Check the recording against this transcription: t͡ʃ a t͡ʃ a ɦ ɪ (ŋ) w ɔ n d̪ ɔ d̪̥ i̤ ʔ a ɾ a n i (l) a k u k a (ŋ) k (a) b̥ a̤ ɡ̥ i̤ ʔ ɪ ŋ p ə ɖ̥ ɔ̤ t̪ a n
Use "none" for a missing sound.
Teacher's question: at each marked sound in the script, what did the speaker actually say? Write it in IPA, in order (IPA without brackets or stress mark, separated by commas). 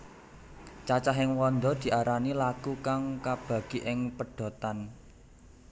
ŋ, l, ŋ, a